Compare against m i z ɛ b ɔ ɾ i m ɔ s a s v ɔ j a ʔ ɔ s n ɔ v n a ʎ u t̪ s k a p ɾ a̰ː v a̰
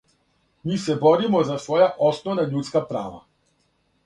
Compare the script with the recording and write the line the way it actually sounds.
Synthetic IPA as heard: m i s ɛ b ɔ ɾ i m ɔ z a s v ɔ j a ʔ ɔ s n ɔ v n a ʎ u t̪ s k a p ɾ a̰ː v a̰